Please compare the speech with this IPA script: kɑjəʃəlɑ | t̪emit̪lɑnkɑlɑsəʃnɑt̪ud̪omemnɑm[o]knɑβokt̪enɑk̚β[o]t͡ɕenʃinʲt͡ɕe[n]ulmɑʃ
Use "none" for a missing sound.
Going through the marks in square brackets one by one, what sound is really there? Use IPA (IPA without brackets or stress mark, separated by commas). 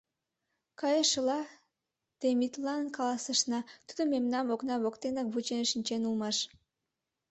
o, u, n